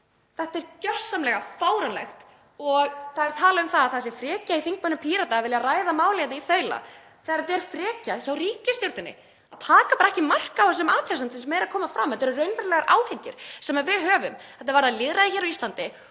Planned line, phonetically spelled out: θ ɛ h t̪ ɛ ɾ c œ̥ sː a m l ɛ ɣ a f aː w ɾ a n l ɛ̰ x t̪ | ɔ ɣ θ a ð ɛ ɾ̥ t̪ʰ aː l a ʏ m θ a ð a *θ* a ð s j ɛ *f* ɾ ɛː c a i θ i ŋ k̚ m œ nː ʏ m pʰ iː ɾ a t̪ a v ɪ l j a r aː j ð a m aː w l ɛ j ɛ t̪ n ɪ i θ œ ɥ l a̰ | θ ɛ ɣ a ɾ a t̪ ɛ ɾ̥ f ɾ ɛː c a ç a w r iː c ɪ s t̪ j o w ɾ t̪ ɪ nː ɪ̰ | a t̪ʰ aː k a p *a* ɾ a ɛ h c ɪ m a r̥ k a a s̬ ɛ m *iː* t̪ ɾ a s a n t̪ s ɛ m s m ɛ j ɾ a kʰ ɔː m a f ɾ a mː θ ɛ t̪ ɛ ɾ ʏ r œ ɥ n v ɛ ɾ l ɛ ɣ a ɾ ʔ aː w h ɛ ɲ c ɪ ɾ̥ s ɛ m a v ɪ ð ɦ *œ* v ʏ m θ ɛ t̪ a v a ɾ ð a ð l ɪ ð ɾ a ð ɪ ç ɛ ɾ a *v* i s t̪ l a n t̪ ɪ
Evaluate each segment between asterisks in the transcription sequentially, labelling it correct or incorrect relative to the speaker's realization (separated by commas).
correct, correct, correct, incorrect, incorrect, incorrect